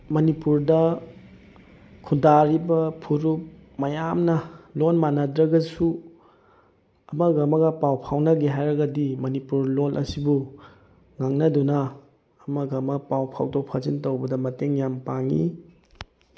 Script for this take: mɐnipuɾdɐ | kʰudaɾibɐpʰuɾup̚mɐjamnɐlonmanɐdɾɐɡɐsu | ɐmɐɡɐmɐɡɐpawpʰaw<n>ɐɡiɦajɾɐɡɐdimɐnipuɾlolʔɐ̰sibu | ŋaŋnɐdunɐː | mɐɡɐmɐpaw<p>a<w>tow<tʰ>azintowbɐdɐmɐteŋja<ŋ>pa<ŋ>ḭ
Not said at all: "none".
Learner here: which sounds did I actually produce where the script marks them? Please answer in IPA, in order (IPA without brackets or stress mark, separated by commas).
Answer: n, pʰ, w, pʰ, m, ŋ